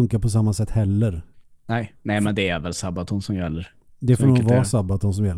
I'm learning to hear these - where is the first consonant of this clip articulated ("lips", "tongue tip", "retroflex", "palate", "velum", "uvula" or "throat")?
velum